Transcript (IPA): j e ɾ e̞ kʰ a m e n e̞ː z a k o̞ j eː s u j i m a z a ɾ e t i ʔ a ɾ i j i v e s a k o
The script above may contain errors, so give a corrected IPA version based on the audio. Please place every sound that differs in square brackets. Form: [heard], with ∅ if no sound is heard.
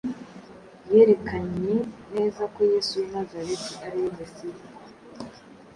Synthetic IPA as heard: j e ɾ e̞ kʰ a [ɲ] e n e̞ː z a k o̞ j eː s u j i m a z a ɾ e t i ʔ a ɾ i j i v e s [i] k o